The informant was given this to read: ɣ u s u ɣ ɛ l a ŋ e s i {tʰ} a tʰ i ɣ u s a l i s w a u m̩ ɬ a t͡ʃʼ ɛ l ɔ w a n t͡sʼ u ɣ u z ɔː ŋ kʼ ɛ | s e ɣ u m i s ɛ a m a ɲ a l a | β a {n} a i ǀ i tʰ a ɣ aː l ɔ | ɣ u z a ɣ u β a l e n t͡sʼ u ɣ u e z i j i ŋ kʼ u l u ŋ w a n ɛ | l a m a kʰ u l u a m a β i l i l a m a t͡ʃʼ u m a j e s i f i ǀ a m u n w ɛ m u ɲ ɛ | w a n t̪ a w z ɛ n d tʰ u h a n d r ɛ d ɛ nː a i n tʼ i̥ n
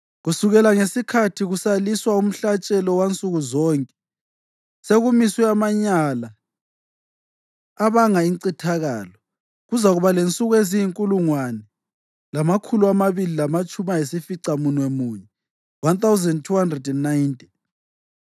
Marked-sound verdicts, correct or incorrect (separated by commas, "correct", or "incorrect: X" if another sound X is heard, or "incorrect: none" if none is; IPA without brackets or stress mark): incorrect: kʰ, incorrect: ŋ